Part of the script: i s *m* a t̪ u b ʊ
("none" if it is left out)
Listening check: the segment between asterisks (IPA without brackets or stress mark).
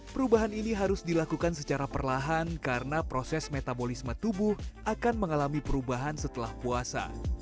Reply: m